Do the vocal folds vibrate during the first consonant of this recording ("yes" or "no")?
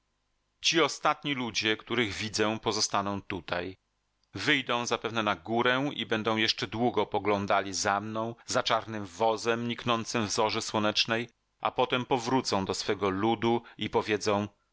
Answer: no